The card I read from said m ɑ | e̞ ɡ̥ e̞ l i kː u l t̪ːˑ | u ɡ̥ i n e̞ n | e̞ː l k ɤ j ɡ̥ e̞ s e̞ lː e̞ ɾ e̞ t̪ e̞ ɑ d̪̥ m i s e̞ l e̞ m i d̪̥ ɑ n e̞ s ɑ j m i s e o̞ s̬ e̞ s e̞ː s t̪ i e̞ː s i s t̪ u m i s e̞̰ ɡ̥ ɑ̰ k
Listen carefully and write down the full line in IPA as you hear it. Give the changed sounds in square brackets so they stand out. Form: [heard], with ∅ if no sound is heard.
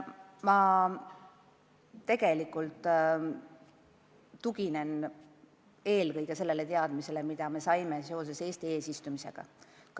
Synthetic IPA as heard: m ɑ | e̞ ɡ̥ e̞ l i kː u l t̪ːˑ | u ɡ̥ i n e̞ n | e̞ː l k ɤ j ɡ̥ e̞ s e̞ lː e̞ [l] e̞ t̪ e̞ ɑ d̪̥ m i s e̞ l e̞ m i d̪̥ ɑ [m] e̞ s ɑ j m [e] s e o̞ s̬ e̞ s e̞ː s t̪ i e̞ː s i s t̪ u m i s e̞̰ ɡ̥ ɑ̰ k